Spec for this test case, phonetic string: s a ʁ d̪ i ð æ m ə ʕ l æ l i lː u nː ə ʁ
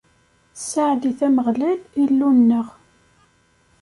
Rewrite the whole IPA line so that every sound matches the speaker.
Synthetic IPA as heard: s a ʕ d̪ i θ æ m ə ʁ l æ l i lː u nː ə ʁ